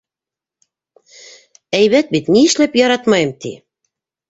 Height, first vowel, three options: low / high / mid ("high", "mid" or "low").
low